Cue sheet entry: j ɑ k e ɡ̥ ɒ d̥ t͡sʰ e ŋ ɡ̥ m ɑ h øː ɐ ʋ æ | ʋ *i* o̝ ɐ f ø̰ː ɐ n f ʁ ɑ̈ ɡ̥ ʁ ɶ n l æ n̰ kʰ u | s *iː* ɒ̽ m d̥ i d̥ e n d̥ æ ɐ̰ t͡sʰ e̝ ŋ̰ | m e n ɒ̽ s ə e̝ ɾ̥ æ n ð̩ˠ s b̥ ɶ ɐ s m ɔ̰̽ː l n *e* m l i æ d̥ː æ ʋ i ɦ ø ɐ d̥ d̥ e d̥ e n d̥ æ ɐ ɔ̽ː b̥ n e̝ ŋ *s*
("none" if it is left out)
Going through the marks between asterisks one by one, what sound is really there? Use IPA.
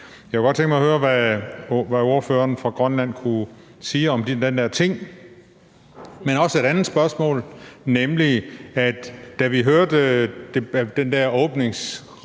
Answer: æ, iː, e, s

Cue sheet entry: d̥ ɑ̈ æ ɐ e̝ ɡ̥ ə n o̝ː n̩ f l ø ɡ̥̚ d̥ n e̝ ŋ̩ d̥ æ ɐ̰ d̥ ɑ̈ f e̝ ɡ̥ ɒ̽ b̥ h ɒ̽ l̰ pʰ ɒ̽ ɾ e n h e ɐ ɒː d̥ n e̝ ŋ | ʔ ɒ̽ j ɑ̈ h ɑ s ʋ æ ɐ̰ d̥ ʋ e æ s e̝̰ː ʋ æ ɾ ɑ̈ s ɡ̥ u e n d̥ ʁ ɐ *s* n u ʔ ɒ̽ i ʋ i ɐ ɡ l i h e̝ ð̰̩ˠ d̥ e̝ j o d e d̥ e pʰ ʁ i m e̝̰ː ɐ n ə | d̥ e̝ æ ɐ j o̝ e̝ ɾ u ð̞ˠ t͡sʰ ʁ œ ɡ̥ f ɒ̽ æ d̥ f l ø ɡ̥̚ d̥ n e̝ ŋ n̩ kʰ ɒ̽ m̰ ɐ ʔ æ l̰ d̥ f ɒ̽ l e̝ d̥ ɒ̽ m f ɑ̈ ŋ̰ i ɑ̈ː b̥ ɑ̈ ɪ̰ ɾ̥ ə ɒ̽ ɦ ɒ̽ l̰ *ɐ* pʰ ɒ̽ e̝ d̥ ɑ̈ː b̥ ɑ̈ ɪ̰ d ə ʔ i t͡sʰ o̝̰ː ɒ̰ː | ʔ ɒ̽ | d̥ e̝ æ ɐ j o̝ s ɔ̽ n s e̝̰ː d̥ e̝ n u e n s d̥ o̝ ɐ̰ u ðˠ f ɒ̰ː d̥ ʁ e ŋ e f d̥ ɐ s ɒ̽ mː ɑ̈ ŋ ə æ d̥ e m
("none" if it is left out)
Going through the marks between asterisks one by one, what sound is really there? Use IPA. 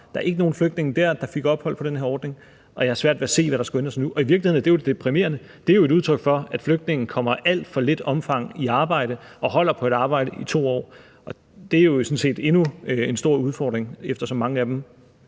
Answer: s, ɐ

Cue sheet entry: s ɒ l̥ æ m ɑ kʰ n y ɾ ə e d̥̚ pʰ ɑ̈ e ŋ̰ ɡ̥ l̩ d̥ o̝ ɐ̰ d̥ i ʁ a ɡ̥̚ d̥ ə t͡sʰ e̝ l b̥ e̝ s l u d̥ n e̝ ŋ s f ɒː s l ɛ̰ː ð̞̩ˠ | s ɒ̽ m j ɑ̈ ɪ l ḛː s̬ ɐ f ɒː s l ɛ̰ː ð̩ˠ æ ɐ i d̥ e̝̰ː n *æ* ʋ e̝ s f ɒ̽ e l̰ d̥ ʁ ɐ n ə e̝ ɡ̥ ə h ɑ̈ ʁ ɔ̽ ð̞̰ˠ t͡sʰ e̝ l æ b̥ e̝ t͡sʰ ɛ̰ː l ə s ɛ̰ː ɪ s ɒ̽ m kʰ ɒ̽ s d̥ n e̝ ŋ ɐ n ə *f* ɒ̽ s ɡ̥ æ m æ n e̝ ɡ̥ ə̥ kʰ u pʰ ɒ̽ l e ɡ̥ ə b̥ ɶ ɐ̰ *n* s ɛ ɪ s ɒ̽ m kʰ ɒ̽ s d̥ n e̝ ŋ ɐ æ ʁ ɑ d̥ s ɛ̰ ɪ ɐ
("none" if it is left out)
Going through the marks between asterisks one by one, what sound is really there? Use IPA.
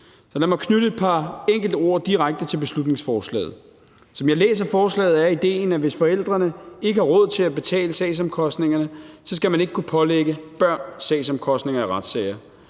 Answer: æ, s, n

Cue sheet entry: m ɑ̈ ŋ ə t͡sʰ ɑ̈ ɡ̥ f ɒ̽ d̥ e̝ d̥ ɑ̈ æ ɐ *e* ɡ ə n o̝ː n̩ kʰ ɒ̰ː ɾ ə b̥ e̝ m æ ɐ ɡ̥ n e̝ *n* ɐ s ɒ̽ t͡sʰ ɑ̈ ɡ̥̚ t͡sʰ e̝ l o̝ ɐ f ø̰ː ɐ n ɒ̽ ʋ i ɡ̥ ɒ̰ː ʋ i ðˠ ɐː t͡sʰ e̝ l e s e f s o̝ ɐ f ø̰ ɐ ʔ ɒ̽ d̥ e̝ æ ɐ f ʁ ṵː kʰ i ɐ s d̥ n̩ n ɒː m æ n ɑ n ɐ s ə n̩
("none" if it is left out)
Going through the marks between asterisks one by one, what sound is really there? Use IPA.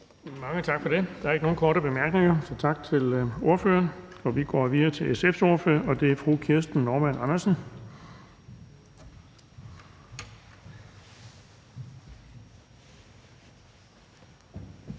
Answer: e, ŋ

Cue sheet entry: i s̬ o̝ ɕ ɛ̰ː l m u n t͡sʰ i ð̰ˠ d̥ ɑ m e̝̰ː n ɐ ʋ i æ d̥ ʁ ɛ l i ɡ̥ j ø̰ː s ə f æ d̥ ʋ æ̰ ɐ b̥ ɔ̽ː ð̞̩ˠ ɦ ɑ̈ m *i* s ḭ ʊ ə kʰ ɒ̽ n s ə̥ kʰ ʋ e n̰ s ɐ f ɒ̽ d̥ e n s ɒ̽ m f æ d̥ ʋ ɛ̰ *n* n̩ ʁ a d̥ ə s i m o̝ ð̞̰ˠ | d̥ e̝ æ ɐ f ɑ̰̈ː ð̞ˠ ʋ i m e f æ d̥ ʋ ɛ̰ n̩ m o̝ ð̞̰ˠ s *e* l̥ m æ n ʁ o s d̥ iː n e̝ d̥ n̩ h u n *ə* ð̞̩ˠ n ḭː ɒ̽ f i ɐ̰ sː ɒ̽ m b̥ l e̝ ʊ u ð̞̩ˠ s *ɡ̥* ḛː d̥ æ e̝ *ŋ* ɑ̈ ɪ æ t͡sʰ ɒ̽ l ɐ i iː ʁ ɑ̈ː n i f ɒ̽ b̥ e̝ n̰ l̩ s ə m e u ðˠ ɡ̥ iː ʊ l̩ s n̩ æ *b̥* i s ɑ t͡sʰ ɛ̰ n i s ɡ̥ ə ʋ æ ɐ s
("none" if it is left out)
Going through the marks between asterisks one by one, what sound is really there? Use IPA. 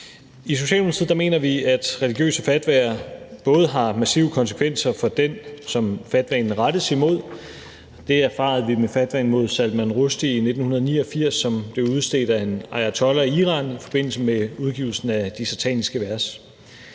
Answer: æ, n, æ, ɐ, d̥, n, d̥

